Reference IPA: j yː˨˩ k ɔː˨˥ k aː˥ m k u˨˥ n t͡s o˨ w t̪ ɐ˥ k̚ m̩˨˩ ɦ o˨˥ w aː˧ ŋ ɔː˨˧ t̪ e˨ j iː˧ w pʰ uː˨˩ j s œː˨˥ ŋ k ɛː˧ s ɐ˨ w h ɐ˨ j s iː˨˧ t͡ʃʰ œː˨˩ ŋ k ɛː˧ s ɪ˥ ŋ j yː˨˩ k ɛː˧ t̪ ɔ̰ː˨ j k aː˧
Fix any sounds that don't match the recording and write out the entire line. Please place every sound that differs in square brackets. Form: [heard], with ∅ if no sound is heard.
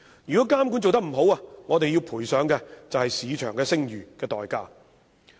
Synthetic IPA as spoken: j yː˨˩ k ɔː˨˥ k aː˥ m k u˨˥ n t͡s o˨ w t̪ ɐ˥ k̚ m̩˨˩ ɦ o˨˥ w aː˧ ŋ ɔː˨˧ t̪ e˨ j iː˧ w pʰ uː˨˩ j s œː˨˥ ŋ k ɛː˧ [t͡s] ɐ˨ w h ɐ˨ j s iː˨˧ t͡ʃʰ œː˨˩ ŋ k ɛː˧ s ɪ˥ ŋ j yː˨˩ k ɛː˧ t̪ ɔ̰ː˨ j k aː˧